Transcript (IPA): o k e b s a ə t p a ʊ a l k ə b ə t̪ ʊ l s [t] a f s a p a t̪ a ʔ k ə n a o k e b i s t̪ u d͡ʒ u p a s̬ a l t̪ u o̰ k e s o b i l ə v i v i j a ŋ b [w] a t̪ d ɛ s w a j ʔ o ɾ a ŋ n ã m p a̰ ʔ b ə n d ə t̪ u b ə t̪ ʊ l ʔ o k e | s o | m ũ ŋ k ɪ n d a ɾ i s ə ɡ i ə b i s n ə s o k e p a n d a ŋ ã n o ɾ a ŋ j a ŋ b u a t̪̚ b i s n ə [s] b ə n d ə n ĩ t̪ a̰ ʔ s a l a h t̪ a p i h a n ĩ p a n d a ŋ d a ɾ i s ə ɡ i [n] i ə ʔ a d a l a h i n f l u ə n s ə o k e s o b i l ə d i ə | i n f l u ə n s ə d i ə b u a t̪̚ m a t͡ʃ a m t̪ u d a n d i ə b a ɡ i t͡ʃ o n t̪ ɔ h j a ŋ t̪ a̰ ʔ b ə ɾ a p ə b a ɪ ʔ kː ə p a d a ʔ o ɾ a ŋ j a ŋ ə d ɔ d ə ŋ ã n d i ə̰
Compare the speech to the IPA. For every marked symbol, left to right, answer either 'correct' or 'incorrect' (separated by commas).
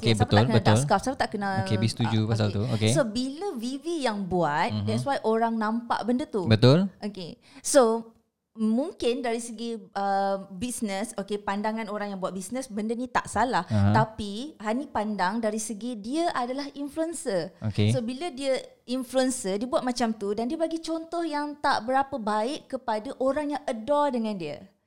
incorrect, incorrect, correct, incorrect